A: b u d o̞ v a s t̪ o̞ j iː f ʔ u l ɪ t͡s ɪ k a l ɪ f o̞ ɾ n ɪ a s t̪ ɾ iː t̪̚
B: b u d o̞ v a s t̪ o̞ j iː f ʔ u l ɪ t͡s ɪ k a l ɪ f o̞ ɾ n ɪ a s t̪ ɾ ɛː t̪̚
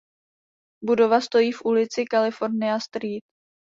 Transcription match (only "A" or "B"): A